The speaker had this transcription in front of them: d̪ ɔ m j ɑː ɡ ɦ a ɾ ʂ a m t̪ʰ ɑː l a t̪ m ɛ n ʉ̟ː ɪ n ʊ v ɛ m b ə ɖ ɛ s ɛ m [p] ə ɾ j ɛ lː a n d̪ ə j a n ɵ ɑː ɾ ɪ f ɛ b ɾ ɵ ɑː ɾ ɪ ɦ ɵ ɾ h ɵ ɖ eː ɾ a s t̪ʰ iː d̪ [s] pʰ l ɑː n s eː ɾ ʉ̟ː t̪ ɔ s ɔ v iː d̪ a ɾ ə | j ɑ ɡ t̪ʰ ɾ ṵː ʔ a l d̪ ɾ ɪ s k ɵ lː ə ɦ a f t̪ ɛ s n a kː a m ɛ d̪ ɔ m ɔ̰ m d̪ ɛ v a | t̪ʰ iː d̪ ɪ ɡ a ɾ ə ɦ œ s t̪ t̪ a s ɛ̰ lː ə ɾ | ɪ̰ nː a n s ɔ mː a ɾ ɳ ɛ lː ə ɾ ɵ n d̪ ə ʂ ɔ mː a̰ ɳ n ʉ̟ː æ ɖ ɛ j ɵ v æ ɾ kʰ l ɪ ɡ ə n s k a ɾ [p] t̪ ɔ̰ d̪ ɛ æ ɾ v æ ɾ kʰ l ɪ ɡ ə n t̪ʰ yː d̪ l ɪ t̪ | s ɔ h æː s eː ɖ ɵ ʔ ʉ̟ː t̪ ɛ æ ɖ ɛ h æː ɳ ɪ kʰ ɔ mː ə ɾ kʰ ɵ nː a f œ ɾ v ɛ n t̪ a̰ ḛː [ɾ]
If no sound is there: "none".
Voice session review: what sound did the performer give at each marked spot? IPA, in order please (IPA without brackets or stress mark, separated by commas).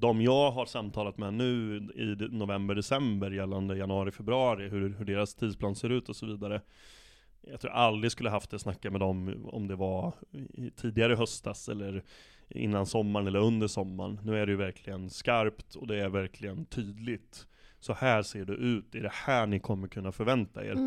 b, s, p, ɾ